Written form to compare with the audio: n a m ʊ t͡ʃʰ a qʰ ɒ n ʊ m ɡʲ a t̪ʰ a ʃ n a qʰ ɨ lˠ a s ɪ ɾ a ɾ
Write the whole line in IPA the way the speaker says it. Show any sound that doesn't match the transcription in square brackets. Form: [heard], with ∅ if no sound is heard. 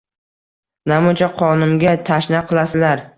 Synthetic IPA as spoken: n a m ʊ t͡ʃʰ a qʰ ɒ n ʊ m ɡʲ a t̪ʰ a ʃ n a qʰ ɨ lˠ a s ɪ [l] a ɾ